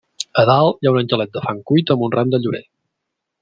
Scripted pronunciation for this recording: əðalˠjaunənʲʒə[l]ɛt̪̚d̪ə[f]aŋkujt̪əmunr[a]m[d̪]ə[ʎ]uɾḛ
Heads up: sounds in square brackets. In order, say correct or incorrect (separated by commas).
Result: correct, correct, correct, correct, correct